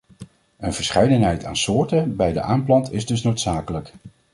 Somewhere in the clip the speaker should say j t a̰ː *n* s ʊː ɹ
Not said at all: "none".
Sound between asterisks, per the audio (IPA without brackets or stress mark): n